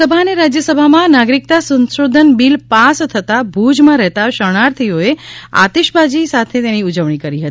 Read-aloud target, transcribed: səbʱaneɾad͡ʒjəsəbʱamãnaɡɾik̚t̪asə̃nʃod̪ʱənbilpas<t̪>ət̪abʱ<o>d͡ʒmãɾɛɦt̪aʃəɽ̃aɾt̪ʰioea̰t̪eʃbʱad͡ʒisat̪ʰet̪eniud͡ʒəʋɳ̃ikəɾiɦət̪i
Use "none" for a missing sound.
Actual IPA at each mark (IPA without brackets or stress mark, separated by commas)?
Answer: t̪ʰ, u